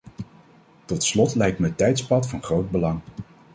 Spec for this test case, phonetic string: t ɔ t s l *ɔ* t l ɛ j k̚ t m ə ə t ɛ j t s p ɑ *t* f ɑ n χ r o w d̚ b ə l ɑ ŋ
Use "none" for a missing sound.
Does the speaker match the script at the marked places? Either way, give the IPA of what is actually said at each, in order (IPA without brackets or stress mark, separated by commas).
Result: ɔ, t